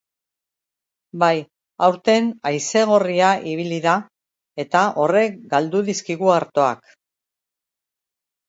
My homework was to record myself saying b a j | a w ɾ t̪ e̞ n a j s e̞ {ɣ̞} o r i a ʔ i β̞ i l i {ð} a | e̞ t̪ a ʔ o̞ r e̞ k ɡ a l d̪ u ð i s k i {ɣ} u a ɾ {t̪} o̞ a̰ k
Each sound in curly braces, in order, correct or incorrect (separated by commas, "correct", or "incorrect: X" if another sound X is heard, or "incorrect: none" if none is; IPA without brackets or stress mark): correct, correct, correct, correct